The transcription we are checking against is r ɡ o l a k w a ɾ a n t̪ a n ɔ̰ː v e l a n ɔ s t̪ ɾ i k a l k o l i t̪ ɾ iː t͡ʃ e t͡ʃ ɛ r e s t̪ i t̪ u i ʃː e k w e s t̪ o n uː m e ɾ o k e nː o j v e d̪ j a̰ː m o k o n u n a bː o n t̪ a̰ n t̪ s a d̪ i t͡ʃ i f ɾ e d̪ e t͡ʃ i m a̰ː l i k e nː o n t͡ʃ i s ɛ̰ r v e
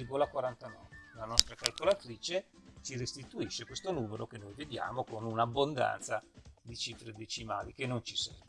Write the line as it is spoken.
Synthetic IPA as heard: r ɡ o l a k w a ɾ a n t̪ a n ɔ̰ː v e l a n ɔ s t̪ ɾ a k a l k o l a t̪ ɾ iː t͡ʃ e t͡ʃ i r e s t̪ i t̪ u i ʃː e k w e s t̪ o n uː m e ɾ o k e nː o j v e d̪ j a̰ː m o k o n u n a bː o n d̪ a̰ n t̪ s a d̪ i t͡ʃ i f ɾ e d̪ e t͡ʃ i m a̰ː l i k e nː o n t͡ʃ i s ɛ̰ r v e